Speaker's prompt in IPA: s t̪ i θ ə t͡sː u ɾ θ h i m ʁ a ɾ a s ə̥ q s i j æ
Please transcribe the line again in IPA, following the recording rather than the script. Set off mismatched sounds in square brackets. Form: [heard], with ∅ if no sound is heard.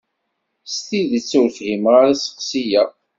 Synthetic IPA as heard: s t̪ i [ð] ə t͡sː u ɾ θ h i m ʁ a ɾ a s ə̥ q s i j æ